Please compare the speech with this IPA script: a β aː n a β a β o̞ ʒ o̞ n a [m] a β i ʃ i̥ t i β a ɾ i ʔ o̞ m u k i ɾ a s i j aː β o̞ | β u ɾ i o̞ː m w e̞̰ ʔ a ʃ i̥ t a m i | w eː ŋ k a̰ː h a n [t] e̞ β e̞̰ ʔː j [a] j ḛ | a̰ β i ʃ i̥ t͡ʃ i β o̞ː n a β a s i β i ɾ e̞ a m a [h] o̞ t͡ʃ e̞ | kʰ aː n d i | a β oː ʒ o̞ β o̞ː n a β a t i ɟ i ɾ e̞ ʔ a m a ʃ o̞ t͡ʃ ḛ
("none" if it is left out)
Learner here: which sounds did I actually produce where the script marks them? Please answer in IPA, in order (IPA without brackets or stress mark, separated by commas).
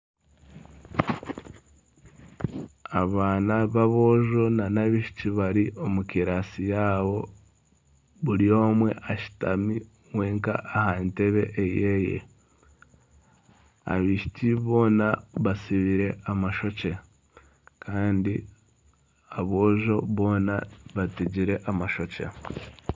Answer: n, t, e, ʃ